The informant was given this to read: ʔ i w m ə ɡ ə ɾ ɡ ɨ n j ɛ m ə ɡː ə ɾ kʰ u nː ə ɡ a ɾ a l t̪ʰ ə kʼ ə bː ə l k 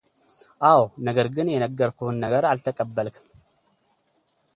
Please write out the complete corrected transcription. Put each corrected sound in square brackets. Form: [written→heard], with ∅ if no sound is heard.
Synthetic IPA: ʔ [i→a] w [m→n] ə ɡ ə ɾ ɡ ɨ n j ɛ [m→n] ə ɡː ə ɾ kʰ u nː ə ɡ [a→ə] ɾ a l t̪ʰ ə kʼ ə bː ə l k